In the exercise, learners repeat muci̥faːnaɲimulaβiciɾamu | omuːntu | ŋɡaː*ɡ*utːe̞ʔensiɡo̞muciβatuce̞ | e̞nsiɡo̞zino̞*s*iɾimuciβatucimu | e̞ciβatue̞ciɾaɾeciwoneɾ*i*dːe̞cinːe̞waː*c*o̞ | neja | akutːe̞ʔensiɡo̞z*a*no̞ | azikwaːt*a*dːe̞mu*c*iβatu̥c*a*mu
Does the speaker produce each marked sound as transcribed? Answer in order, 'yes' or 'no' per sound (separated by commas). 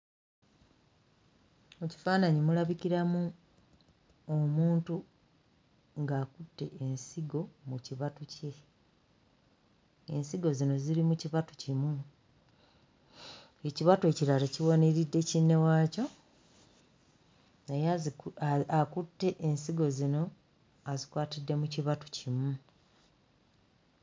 no, no, yes, yes, no, no, yes, no